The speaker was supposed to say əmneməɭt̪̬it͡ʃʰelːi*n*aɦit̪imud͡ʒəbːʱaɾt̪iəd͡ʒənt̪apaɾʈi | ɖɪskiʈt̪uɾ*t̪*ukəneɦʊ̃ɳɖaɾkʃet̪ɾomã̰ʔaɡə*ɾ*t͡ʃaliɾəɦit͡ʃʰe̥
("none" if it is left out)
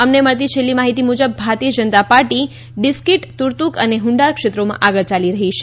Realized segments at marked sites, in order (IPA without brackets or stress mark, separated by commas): m, t̪, ɭ